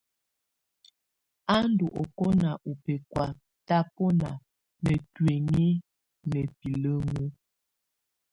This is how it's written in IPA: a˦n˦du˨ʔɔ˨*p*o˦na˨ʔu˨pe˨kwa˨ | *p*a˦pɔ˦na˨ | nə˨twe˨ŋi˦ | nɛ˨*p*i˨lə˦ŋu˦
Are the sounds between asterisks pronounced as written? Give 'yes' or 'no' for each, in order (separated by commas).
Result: no, no, yes